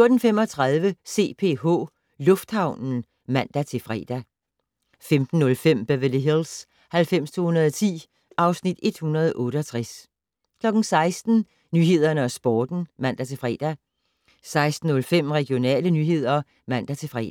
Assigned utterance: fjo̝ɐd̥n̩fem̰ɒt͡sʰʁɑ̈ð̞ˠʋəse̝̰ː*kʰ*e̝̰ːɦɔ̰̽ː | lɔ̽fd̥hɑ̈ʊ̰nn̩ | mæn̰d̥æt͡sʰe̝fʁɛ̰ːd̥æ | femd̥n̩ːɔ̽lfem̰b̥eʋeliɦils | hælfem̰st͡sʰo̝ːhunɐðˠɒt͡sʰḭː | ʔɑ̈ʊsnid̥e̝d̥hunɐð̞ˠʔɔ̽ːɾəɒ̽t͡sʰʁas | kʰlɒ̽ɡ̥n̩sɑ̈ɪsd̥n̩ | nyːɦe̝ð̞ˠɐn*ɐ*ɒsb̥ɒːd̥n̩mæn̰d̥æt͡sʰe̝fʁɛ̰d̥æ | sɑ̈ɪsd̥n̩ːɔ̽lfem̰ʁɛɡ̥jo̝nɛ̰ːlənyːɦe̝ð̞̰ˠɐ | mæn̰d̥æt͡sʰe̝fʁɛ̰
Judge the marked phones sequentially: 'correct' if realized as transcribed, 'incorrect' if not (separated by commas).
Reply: incorrect, incorrect